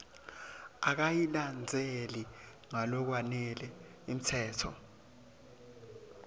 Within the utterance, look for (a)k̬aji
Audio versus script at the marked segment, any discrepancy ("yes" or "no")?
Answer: no